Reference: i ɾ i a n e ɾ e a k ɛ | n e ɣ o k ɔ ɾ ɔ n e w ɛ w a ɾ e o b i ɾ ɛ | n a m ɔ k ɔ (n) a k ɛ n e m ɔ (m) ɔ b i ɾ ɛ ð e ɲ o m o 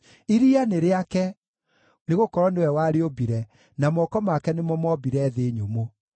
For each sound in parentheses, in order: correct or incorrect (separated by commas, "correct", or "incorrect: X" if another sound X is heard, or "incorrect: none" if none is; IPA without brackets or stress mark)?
incorrect: m, correct